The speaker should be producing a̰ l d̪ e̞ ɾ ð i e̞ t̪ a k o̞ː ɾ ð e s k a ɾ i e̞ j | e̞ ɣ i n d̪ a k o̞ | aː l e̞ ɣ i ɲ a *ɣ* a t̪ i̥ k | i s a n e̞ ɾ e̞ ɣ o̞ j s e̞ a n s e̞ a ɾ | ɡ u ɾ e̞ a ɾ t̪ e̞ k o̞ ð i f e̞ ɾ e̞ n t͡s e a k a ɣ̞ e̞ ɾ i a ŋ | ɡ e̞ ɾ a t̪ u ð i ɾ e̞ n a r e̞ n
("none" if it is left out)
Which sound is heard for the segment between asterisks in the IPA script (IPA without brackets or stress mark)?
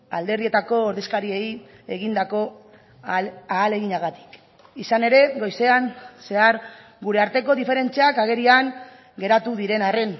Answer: ɣ